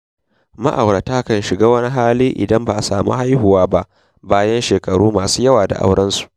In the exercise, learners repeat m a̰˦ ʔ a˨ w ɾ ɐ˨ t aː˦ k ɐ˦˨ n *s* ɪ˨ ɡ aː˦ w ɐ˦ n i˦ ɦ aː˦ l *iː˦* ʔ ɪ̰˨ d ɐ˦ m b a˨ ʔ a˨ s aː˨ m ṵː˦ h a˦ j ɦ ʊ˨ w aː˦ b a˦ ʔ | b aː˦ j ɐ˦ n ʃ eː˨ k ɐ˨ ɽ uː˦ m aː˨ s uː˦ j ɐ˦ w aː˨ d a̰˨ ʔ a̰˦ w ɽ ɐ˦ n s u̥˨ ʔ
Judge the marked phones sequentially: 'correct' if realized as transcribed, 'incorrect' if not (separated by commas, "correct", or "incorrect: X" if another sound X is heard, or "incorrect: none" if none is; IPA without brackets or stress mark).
incorrect: ʃ, correct